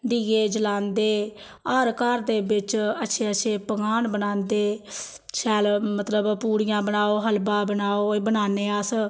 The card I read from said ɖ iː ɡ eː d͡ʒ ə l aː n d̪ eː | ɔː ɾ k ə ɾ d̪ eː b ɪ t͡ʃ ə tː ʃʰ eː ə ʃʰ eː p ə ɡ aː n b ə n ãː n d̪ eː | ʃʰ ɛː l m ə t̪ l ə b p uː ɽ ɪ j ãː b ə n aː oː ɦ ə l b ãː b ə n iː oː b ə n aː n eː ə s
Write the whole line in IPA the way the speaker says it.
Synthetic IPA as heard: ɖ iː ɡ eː d͡ʒ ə l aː n d̪ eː | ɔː ɾ k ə ɾ d̪ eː b ɪ t͡ʃ ə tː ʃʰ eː ə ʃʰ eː p ə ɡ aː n b ə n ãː n d̪ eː | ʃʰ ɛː l m ə t̪ l ə b p uː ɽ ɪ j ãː b ə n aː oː ɦ ə l b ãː b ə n aː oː b ə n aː n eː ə s